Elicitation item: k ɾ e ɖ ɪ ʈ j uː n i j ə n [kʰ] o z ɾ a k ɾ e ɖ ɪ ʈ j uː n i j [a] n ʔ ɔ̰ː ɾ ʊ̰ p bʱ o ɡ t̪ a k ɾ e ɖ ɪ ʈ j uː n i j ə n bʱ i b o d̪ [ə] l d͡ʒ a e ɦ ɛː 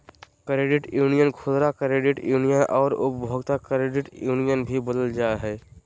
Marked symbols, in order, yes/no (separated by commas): yes, no, yes